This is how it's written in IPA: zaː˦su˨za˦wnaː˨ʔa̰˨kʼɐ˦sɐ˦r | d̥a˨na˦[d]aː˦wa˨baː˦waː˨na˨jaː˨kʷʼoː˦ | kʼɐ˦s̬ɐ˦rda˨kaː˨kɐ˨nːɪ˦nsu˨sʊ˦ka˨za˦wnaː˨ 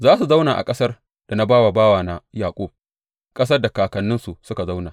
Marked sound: incorrect: b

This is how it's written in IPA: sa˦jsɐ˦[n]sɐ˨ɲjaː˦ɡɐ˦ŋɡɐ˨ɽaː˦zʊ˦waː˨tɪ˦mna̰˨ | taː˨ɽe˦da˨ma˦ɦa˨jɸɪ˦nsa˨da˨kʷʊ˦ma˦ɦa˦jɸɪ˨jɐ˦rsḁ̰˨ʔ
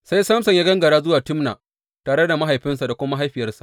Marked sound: incorrect: m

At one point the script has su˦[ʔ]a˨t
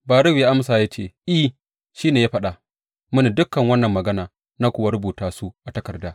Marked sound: correct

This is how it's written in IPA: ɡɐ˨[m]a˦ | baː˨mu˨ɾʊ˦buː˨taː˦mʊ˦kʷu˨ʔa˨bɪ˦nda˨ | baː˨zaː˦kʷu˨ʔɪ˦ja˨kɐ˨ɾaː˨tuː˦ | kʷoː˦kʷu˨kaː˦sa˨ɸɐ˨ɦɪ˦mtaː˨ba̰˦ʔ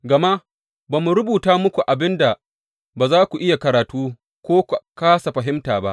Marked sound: correct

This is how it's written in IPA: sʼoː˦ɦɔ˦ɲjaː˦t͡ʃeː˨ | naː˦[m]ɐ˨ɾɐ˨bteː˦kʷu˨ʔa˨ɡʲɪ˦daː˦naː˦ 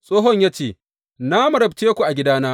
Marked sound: correct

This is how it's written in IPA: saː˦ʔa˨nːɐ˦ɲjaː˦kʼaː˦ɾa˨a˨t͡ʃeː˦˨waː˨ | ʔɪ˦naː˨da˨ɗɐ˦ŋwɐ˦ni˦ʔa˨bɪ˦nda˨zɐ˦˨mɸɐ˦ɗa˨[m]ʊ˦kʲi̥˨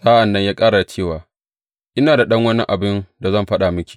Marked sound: correct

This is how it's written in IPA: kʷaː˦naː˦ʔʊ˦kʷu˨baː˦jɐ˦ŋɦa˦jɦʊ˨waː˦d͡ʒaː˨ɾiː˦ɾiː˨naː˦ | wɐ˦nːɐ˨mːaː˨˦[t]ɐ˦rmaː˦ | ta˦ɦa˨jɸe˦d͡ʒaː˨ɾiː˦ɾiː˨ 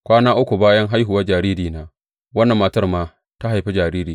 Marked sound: correct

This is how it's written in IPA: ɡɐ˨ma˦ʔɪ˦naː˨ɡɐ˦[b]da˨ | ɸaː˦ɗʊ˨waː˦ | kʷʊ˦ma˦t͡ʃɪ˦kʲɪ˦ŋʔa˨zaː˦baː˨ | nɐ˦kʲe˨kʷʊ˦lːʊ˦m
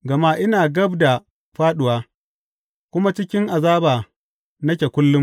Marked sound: correct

